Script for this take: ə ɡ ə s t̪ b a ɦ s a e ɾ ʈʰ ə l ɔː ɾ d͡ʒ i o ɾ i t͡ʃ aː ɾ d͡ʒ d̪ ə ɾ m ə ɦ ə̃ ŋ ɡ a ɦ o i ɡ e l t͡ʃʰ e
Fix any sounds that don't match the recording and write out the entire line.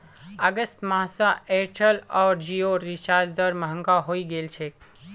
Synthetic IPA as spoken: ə ɡ ə s t̪ m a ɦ s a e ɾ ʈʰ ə l ɔː ɾ d͡ʒ i o ɾ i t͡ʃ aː ɾ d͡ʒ d̪ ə ɾ m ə ɦ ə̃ ŋ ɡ a ɦ o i ɡ e l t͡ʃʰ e